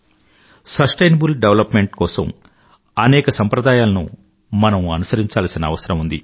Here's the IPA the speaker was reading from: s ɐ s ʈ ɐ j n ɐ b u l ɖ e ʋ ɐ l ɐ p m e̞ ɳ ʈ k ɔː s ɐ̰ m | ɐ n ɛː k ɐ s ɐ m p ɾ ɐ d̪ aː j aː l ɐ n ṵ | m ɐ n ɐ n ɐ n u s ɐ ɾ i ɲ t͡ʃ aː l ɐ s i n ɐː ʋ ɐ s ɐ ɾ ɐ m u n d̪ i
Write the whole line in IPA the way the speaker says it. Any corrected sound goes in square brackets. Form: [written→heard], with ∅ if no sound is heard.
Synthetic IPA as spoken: s ɐ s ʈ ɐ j n ɐ b u l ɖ e ʋ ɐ l ɐ p m e̞ ɳ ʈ k ɔː s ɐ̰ m | ɐ n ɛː k ɐ s ɐ m p ɾ ɐ d̪ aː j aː l ɐ n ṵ | m ɐ n ɐ [n→m] ɐ n u s ɐ ɾ i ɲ t͡ʃ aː l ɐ s i n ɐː ʋ ɐ s ɐ ɾ ɐ m u n d̪ i